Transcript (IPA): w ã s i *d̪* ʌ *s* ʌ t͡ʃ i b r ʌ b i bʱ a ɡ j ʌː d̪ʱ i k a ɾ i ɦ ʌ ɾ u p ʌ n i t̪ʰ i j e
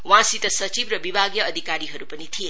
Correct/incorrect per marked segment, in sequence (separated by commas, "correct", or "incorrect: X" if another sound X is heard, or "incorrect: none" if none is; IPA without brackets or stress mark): incorrect: t̪, correct